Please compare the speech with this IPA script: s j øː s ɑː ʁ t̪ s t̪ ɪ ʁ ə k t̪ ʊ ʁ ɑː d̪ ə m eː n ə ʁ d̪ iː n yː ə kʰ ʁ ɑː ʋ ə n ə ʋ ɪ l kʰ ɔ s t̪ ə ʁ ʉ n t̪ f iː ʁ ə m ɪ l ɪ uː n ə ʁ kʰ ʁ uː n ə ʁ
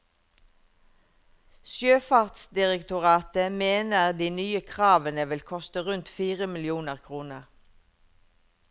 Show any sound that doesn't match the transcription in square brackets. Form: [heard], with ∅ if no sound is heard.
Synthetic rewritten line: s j øː [f] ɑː ʁ t̪ s [d̪] ɪ ʁ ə k t̪ ʊ ʁ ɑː [t̪] ə m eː n ə ʁ d̪ iː n yː ə kʰ ʁ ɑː ʋ ə n ə ʋ ɪ l kʰ ɔ s t̪ ə ʁ ʉ n t̪ f iː ʁ ə m ɪ l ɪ uː n ə ʁ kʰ ʁ uː n ə ʁ